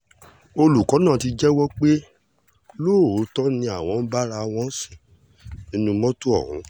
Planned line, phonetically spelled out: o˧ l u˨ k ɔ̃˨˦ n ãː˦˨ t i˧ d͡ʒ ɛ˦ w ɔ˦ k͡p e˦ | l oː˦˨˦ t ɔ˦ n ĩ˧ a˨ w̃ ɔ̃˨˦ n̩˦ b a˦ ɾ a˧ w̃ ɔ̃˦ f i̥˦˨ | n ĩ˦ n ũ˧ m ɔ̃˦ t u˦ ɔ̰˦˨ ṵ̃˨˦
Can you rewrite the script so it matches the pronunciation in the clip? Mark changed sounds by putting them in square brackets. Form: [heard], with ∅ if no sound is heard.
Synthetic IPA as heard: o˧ l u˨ k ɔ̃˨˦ n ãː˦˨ t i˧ d͡ʒ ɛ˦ w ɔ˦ k͡p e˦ | l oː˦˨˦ t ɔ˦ n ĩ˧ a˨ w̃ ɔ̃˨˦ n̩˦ b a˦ ɾ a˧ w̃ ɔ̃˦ [s] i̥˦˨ | n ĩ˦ n ũ˧ m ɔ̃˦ t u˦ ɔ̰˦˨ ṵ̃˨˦